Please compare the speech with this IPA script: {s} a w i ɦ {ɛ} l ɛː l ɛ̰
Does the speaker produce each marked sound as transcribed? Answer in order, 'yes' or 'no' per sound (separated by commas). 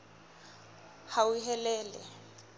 no, yes